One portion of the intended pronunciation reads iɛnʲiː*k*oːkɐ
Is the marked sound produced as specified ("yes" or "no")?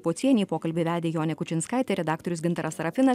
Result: no